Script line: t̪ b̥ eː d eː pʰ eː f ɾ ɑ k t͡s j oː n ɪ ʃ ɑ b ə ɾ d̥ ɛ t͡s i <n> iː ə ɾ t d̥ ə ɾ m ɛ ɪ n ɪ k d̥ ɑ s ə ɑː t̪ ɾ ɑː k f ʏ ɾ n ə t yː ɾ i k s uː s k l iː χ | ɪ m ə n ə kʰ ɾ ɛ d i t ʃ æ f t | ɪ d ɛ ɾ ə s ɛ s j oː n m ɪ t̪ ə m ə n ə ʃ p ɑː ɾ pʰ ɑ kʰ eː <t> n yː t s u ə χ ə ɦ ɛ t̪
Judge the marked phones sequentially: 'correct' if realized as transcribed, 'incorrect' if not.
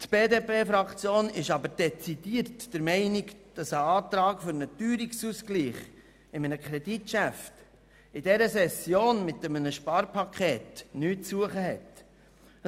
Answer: incorrect: d, correct

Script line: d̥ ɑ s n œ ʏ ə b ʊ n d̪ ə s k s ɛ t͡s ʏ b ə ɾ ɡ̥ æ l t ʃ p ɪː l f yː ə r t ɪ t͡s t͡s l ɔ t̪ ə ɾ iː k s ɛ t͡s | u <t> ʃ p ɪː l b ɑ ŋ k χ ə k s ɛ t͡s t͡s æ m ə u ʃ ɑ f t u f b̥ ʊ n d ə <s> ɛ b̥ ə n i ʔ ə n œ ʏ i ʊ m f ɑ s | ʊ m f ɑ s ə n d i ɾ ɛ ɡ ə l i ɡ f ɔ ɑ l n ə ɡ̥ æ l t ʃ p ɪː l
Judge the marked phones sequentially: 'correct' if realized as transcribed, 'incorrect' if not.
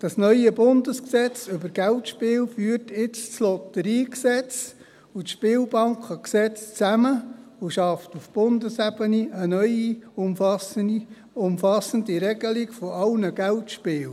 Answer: correct, correct

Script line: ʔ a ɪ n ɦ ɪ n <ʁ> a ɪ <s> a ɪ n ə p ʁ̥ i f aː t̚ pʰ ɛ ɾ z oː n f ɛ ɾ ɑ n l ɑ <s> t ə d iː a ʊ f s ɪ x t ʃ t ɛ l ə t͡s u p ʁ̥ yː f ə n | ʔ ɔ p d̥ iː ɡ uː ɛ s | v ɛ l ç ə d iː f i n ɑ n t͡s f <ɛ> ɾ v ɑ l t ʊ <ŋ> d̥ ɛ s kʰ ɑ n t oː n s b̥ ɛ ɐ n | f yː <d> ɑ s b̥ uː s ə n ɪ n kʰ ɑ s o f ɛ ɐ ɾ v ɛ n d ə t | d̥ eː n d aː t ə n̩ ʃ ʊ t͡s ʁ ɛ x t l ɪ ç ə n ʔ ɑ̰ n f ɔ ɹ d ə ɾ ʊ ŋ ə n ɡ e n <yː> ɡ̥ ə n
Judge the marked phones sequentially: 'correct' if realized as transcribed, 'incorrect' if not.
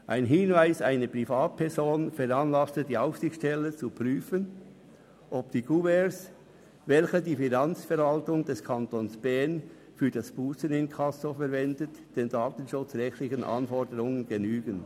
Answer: incorrect: v, correct, correct, correct, correct, correct, correct

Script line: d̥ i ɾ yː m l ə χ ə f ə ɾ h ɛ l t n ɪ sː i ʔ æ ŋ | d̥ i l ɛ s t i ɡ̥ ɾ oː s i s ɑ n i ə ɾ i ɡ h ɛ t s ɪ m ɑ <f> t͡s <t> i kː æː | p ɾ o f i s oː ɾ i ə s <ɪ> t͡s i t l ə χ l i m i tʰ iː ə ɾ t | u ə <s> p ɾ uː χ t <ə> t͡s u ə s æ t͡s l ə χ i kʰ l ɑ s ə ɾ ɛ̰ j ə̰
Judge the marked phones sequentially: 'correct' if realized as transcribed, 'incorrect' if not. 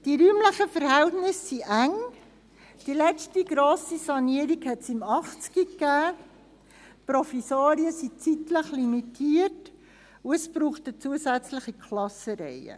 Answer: incorrect: χ, incorrect: k, incorrect: i, correct, correct

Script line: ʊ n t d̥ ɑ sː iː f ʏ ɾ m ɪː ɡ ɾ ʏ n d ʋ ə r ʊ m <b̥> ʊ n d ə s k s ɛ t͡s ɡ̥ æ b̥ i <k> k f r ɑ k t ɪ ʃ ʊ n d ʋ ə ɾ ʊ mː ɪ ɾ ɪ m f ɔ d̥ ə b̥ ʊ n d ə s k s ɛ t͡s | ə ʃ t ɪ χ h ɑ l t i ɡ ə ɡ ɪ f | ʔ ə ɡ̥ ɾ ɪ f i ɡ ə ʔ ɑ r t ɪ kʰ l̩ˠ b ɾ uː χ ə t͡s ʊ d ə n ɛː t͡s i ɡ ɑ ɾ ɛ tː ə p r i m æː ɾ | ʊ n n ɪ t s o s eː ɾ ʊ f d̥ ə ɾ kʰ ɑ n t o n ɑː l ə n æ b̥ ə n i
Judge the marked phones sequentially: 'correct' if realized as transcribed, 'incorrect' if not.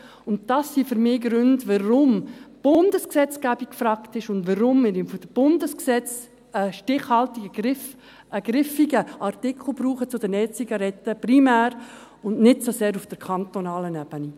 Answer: correct, correct

